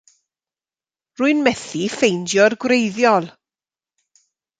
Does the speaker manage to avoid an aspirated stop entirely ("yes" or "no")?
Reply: yes